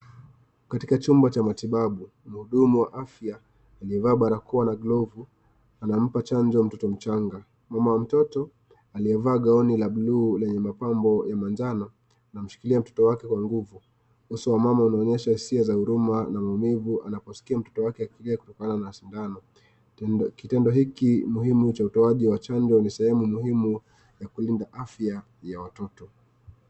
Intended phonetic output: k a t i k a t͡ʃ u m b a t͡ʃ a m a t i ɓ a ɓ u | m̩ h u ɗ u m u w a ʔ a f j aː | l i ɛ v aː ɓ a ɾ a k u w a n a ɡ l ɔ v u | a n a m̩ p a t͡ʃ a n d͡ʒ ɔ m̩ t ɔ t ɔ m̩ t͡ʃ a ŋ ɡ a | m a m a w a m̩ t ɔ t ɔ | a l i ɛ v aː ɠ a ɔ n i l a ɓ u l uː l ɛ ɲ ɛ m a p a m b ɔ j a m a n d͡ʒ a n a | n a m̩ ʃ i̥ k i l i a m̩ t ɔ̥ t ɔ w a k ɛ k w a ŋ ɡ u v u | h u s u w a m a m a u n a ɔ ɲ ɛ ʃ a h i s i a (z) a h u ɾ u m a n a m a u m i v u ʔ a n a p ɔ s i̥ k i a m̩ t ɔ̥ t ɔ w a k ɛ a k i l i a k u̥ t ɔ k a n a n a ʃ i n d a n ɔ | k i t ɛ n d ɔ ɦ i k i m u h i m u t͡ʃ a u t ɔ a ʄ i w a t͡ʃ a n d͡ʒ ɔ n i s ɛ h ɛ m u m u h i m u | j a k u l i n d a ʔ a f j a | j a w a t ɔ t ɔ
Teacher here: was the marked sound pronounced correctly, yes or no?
yes